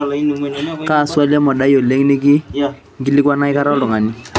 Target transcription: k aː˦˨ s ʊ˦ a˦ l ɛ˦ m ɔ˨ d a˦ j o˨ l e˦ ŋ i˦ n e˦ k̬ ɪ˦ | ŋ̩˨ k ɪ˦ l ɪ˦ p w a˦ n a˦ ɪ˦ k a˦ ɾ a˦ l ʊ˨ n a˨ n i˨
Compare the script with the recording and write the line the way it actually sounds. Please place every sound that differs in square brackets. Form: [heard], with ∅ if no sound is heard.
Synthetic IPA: k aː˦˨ s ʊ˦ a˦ l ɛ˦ m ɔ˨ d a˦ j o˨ l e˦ ŋ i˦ n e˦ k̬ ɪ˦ | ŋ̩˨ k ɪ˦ l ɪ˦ [k] w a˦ n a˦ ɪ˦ k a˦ ɾ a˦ l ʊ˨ [ŋ] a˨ n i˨